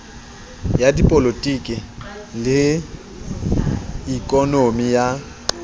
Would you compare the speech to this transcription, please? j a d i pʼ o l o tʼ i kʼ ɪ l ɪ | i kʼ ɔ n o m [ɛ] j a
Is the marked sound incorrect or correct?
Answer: incorrect